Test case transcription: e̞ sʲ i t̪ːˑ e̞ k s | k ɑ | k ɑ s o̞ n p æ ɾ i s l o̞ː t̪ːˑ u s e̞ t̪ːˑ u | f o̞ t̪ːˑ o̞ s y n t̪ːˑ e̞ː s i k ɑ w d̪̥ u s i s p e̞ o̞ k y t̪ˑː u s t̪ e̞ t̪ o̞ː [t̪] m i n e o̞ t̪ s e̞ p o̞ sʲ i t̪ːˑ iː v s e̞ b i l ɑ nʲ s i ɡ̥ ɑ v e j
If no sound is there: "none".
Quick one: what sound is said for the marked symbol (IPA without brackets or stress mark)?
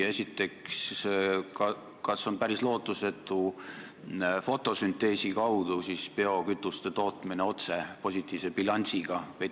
t̪